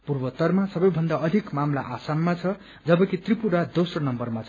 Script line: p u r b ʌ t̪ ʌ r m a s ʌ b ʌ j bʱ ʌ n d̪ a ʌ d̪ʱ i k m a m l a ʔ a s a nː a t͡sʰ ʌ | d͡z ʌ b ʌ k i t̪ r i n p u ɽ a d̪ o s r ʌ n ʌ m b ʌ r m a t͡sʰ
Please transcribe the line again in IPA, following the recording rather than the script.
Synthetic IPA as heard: p u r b ʌ t̪ ʌ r m a s ʌ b ʌ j bʱ ʌ n d̪ a ʌ d̪ʱ i k m a m l a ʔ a s a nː a t͡sʰ ʌ | d͡z ʌ b ʌ k i t̪ r i p u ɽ a d̪ o s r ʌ n ʌ m b ʌ r m a t͡sʰ